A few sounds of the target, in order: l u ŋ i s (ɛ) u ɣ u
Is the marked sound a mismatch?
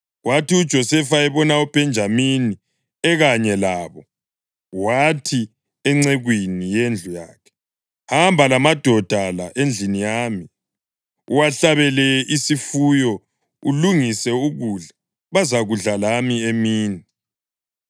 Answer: no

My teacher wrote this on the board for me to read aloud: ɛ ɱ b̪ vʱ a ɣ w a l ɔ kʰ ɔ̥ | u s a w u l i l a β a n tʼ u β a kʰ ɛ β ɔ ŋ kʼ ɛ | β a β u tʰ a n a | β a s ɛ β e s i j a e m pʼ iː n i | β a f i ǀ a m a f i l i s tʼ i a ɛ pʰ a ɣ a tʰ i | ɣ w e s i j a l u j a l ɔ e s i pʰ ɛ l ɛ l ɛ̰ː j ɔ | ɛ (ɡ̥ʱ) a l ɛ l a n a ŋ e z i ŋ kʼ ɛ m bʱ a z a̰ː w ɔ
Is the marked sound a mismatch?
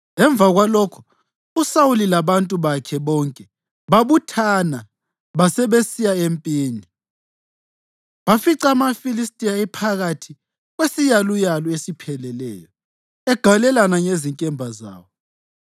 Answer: no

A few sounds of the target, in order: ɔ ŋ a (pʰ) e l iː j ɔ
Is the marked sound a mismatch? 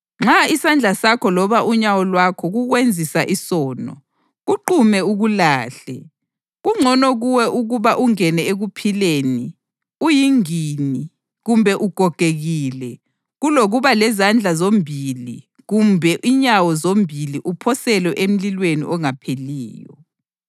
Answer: no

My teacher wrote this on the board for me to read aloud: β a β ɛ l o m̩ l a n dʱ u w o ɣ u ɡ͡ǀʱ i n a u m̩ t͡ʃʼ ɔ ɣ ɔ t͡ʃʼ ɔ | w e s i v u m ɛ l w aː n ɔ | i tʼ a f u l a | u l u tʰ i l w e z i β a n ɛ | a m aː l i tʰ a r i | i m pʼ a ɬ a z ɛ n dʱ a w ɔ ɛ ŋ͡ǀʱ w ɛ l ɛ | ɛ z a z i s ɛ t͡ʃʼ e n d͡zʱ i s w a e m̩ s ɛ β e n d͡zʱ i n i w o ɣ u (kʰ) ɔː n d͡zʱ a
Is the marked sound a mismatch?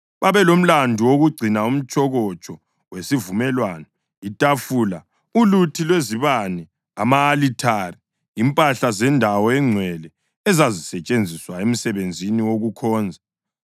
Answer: no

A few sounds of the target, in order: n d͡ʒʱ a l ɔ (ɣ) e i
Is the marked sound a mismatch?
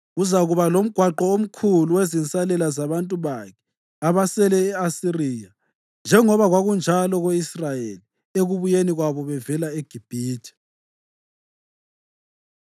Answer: no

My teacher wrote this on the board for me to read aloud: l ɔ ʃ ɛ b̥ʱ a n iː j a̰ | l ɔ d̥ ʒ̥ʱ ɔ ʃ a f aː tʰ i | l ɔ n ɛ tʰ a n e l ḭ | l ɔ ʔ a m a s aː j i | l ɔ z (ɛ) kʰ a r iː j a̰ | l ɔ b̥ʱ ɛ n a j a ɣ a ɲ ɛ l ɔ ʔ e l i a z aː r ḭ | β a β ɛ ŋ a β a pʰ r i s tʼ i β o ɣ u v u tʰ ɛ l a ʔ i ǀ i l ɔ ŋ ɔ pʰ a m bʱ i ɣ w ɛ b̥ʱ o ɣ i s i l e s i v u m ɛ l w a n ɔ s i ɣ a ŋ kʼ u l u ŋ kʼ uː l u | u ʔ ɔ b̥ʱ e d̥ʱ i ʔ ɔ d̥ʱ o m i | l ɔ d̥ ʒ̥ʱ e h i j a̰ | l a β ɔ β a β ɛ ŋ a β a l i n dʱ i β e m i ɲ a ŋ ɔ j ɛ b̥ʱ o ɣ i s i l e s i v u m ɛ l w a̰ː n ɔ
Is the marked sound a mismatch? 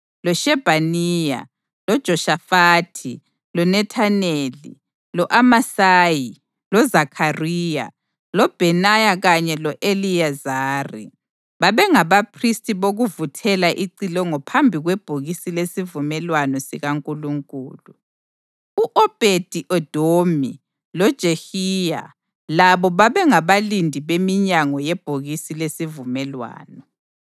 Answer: yes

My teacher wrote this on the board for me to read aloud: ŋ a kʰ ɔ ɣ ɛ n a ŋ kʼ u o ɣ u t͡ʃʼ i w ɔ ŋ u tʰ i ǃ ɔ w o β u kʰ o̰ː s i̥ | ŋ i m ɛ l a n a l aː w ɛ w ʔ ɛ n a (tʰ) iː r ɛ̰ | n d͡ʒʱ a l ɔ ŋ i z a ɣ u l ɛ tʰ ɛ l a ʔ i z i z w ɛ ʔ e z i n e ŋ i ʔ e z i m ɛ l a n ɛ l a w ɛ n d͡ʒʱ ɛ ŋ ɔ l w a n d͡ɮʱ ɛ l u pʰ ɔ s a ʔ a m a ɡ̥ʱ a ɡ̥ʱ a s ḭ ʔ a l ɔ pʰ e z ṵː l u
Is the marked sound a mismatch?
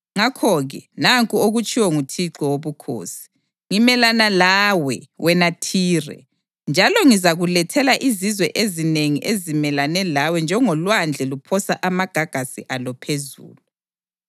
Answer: no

